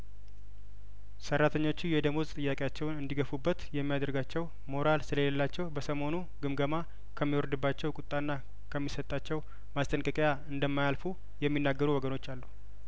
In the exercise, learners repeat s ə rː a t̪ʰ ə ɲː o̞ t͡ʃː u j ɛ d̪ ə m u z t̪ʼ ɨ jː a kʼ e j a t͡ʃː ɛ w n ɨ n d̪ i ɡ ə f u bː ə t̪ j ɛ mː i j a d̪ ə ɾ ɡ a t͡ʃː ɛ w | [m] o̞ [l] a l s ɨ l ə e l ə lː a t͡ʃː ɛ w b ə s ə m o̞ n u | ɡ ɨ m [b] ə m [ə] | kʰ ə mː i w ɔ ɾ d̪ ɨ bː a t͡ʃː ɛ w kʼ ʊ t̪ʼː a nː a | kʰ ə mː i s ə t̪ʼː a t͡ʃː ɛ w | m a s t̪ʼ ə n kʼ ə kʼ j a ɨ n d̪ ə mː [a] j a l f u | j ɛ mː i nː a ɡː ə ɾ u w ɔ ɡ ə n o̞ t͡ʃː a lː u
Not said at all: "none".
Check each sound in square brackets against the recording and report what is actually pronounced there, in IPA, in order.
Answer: m, ɾ, ɡ, a, a

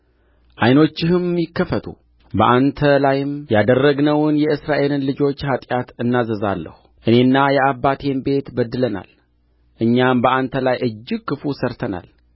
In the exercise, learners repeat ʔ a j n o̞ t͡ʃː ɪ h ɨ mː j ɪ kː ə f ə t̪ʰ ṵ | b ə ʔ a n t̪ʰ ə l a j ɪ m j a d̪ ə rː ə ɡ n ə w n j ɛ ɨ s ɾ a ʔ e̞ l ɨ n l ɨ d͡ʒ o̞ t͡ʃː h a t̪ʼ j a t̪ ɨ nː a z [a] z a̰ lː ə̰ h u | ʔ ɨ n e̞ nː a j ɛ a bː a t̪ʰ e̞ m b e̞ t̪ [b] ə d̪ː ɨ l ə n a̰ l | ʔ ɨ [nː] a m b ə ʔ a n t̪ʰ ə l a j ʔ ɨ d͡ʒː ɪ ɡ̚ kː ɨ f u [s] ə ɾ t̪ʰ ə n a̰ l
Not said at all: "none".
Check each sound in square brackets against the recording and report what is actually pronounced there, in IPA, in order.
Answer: ə, b, ɲː, s

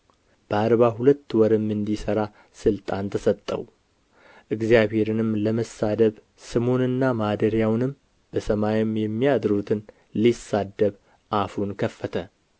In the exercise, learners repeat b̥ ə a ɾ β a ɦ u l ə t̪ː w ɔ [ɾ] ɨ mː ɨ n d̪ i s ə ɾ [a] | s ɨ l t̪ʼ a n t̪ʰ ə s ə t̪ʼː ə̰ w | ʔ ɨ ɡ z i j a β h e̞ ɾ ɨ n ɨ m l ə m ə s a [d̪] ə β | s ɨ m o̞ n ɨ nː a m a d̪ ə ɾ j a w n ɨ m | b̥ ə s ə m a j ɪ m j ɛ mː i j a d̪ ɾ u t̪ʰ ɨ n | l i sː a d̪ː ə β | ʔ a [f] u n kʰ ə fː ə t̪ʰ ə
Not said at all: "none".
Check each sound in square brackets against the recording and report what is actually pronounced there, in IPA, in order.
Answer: ɾ, a, d̪, f

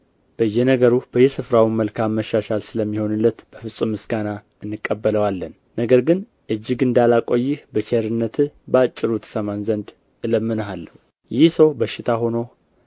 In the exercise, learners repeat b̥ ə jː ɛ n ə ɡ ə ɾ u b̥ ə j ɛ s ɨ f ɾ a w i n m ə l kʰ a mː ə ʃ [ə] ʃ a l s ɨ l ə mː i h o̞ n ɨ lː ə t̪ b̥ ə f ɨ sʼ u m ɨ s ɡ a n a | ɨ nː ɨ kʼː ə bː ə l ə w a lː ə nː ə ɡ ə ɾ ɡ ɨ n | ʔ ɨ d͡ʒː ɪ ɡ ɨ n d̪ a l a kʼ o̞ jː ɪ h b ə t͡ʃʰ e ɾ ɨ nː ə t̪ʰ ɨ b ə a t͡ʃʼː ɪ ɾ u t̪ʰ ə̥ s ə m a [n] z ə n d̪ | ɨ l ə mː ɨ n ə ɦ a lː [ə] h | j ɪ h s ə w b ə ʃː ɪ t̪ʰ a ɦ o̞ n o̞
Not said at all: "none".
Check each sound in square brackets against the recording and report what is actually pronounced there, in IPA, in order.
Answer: a, n, ə

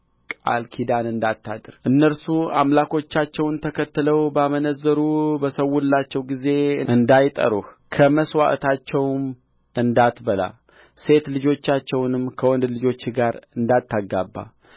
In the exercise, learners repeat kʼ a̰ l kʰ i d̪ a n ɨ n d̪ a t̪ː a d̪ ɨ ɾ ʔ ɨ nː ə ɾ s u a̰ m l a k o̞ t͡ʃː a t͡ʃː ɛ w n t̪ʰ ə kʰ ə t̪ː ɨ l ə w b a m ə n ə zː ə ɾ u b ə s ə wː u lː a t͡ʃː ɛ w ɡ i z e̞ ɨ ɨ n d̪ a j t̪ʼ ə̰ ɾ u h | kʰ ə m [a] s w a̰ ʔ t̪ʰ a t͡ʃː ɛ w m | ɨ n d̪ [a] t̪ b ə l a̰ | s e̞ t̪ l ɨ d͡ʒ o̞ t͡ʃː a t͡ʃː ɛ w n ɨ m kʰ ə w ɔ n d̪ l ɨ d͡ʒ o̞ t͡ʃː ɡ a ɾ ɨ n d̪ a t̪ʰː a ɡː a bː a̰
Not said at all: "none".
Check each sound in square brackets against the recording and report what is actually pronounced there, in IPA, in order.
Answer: ə, a

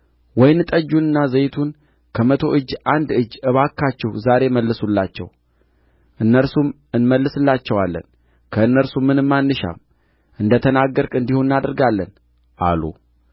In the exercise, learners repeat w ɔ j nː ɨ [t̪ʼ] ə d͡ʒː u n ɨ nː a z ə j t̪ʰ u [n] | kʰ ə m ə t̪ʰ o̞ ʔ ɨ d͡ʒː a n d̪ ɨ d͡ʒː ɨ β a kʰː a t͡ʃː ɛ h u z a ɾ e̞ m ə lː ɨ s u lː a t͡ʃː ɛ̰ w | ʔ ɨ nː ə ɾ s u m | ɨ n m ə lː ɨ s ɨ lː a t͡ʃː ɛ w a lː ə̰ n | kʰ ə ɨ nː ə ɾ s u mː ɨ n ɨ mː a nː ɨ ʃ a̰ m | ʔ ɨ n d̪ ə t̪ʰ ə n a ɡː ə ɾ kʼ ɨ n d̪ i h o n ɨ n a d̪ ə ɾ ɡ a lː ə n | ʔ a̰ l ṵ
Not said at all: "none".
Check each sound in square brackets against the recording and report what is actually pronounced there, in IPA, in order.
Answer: t̪ʼ, n

